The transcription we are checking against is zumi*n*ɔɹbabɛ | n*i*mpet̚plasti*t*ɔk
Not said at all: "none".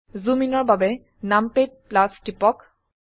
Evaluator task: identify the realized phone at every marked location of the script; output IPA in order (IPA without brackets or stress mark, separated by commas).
n, a, p